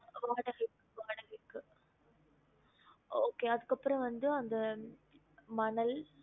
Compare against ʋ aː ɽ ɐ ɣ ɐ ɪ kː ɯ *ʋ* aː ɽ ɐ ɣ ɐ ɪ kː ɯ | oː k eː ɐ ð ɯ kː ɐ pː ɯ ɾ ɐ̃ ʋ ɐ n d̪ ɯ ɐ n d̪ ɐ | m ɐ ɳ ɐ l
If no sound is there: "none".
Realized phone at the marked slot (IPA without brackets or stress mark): ʋ